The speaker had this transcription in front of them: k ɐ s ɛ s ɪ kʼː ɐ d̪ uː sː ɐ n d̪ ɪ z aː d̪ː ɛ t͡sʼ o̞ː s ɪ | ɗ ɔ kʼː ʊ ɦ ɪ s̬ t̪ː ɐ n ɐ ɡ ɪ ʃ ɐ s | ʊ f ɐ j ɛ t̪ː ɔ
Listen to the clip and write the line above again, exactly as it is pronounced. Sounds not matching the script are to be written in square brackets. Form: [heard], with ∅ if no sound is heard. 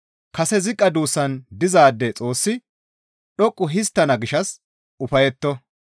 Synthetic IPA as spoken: k ɐ s ɛ [z] ɪ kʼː ɐ d̪ uː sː ɐ n d̪ ɪ z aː d̪ː ɛ t͡sʼ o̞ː [sː] ɪ | ɗ ɔ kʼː ʊ ɦ ɪ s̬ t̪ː ɐ n ɐ ɡ ɪ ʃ ɐ s | ʊ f ɐ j ɛ t̪ː ɔ